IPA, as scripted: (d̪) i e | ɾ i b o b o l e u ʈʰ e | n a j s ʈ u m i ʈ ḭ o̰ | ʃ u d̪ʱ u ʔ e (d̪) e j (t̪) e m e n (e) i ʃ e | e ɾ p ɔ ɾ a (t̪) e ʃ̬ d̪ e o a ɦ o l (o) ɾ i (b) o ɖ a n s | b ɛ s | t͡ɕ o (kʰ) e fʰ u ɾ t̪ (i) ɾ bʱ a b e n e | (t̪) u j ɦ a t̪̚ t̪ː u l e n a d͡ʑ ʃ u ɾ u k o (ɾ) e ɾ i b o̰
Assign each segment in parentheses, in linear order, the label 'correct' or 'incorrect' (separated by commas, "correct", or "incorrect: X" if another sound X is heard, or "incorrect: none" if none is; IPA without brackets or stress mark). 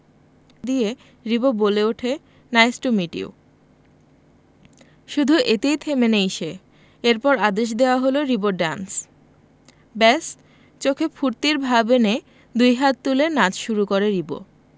correct, incorrect: t̪, incorrect: t̪ʰ, correct, incorrect: d̪, correct, correct, correct, correct, incorrect: d̪, correct